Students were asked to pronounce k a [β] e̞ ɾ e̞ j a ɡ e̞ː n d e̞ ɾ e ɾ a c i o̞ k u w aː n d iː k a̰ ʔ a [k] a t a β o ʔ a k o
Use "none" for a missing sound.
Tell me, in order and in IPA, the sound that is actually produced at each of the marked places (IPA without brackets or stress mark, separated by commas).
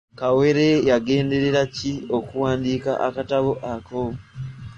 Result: w, k